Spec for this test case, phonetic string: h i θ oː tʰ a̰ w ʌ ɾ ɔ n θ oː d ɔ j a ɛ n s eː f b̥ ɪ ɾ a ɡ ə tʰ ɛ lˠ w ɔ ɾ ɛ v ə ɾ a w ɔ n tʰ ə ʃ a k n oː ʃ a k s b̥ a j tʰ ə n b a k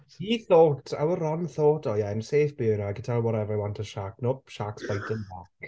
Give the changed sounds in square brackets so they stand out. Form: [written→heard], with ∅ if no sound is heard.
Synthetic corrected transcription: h i θ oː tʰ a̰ w [ʌ→ə] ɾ ɔ n θ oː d ɔ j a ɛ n s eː f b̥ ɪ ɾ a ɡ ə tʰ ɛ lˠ w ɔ ɾ ɛ v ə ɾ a w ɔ n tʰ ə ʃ a k n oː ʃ a k s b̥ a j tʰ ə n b a k